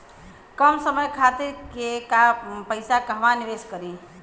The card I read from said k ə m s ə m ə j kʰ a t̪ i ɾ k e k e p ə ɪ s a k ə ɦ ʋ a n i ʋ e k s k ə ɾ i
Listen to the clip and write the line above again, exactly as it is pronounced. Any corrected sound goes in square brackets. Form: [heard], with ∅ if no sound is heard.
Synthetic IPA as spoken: k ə m s ə m ə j kʰ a t̪ i ɾ k e k [a] p ə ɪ s a k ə ɦ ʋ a n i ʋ e [∅] s k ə ɾ i